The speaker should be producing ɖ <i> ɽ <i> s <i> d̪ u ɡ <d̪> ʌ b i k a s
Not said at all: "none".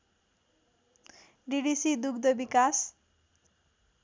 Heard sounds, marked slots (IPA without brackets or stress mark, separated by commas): i, i, i, d̪